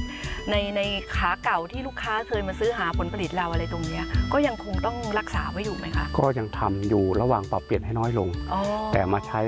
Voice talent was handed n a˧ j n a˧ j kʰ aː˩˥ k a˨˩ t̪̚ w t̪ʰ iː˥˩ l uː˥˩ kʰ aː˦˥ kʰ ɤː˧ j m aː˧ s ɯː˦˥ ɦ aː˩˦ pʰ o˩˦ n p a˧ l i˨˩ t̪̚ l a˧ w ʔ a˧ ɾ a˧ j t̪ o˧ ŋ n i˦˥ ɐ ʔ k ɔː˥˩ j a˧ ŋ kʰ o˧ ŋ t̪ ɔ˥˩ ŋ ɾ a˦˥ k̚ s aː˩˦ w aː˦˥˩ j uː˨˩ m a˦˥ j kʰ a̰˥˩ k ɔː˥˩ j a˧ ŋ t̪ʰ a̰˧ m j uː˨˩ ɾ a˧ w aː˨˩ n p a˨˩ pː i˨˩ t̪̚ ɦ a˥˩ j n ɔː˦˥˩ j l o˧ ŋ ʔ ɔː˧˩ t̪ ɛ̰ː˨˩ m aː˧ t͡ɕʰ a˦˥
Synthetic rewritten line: n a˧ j n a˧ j kʰ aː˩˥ k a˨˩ w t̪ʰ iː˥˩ l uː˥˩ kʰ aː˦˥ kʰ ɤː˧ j m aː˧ s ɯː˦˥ ɦ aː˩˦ pʰ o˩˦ n p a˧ l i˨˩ t̪̚ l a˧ w ʔ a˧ ɾ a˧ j t̪ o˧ ŋ n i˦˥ ɐ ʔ k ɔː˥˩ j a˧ ŋ kʰ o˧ ŋ t̪ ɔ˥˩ ŋ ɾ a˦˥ k̚ s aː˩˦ w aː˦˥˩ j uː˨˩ m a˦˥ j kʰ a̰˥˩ k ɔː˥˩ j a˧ ŋ t̪ʰ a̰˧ m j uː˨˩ ɾ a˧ w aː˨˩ ŋ p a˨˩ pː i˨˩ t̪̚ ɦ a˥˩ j n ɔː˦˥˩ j l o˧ ŋ ʔ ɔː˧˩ t̪ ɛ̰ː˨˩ m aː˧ t͡ɕʰ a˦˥

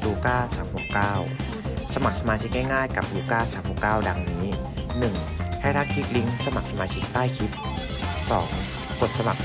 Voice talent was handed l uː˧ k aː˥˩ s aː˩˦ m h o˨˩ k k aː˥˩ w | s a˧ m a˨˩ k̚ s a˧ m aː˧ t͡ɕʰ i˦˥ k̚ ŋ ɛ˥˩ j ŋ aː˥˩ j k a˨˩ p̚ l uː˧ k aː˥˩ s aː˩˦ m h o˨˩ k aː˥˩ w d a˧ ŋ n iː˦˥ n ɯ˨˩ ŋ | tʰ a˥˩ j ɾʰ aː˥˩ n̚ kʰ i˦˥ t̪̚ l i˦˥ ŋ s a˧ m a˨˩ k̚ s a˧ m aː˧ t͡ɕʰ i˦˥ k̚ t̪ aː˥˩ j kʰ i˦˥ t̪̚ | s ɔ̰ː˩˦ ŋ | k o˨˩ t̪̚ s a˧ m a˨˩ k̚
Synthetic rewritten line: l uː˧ k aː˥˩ s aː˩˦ m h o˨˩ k k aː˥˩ w | s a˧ m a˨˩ k̚ s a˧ m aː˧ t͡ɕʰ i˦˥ k̚ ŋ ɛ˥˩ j ŋ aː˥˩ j k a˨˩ p̚ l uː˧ k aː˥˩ s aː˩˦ m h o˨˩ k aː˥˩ w d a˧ ŋ n iː˦˥ n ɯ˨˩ ŋ | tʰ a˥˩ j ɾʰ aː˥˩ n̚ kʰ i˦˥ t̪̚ l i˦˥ ŋ s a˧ m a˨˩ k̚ s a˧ m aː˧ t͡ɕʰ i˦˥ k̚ t̪ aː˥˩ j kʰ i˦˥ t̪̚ | s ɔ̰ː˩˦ ŋ | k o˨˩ t̪̚ s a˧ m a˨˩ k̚

